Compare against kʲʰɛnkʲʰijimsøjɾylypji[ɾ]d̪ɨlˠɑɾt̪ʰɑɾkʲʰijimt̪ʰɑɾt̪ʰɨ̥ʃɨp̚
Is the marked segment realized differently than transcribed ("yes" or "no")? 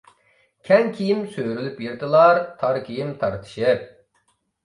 no